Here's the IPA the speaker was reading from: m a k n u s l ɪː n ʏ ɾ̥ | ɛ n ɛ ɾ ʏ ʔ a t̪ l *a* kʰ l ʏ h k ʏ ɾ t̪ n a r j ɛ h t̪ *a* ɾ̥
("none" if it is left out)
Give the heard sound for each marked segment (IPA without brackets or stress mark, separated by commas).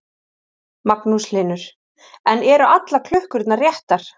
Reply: a, a